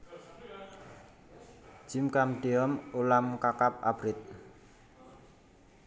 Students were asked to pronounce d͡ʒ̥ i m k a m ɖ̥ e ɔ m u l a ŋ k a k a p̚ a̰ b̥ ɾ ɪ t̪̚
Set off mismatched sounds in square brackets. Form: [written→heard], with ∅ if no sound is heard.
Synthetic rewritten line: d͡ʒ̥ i m k a m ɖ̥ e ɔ m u l a [ŋ→m] k a k a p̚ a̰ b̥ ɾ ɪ t̪̚